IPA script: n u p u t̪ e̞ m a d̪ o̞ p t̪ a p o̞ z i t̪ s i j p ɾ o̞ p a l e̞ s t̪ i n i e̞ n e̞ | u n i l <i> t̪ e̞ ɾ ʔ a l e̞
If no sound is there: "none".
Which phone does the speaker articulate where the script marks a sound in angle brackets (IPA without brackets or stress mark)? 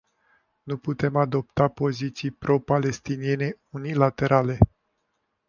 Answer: a